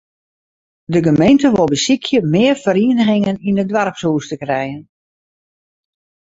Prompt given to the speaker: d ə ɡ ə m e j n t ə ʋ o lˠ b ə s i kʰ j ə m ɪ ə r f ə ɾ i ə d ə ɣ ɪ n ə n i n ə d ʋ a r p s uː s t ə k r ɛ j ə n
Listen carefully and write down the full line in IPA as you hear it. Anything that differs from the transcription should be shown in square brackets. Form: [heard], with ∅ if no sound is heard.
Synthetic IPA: d ə ɡ ə m e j n t ə ʋ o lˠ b ə s i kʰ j ə m ɪ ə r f ə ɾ i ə [n] ə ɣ ɪ [ŋ] ə n i n ə d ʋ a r p s uː s t ə k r ɛ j ə n